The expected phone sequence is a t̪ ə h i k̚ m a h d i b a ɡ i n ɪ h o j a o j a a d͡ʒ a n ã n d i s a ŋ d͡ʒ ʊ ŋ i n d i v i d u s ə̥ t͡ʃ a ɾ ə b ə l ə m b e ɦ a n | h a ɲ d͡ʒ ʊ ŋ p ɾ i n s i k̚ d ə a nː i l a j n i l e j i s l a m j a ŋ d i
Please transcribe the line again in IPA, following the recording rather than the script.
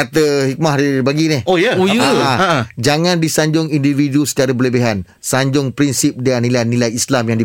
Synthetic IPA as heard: a t̪ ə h i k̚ m a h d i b a ɡ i n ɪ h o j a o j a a d͡ʒ a ŋ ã n d i s a ɲ d͡ʒ ʊ ŋ i n d i v i d u s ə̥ t͡ʃ a ɾ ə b ə l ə b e ɦ a n | s a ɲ d͡ʒ ʊ ŋ p ɾ i n s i p̚ d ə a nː i l a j n i l a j i s l a m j a ŋ d i